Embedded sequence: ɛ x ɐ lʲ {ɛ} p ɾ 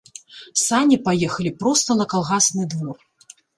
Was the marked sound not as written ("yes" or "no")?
yes